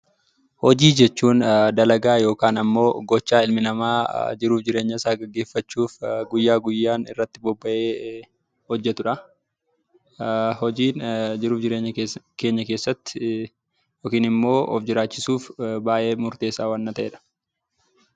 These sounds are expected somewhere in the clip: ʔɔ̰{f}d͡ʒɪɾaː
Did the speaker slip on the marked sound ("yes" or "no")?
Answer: no